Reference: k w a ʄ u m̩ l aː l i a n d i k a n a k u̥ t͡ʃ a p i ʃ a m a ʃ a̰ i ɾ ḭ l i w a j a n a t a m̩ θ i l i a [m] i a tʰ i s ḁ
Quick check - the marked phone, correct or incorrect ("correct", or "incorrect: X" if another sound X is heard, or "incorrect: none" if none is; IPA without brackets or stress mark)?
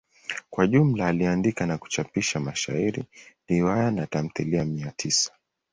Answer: correct